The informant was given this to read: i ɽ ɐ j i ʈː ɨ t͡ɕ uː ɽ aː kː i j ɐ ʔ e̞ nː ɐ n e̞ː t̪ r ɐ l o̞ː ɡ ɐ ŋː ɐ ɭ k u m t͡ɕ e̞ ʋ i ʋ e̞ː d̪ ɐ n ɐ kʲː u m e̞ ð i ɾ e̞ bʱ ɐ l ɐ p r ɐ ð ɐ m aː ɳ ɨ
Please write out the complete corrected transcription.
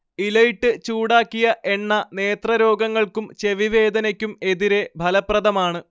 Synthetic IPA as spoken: i l ɐ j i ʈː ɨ t͡ɕ uː ɽ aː kː i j ɐ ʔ e̞ nː ɐ n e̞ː t̪ r ɐ ɾ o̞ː ɡ ɐ ŋː ɐ ɭ k u m t͡ɕ e̞ ʋ i ʋ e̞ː d̪ ɐ n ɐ kʲː u m e̞ ð i ɾ e̞ bʱ ɐ l ɐ p r ɐ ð ɐ m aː ɳ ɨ